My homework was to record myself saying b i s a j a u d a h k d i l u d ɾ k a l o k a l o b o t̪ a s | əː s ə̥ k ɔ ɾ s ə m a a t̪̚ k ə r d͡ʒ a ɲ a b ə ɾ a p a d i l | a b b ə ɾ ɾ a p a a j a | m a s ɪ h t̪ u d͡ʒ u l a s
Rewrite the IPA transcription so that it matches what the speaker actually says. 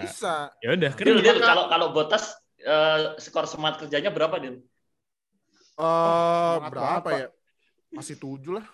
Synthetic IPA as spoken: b i s a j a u d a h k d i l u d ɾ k a l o k a l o b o t̪ a s | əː s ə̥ k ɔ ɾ s ə m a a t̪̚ k ə r d͡ʒ a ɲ a b ə ɾ a p a d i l | ə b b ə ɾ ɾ a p a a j a | m a s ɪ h t̪ u d͡ʒ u l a h